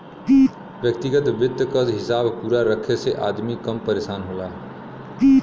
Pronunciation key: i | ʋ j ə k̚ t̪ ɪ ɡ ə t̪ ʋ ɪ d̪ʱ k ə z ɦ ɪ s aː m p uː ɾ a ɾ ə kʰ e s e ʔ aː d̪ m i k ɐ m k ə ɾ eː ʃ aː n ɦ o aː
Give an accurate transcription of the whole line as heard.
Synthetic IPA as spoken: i | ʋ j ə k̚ t̪ ɪ ɡ ə t̪ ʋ ɪ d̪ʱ k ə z ɦ ɪ s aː b p uː ɾ a ɾ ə kʰ e s e ʔ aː d̪ m i k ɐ m p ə ɾ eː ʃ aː n ɦ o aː